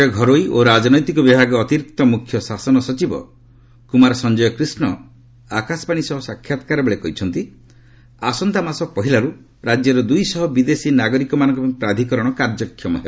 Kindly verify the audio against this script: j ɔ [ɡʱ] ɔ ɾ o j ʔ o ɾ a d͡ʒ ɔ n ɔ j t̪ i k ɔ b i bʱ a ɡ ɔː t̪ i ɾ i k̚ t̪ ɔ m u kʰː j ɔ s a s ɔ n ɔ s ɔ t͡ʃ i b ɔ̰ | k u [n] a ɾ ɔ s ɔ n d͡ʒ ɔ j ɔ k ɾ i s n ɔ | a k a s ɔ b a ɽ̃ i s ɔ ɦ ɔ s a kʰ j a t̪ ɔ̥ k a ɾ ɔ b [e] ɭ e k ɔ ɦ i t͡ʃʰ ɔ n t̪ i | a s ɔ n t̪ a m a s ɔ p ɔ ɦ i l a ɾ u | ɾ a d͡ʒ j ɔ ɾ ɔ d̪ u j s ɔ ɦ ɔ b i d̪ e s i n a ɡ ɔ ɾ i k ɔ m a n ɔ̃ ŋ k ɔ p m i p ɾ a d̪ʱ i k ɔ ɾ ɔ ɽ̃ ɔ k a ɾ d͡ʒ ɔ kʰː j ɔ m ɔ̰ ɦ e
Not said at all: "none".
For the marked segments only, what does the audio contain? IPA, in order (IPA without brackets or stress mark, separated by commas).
ɡʱ, m, e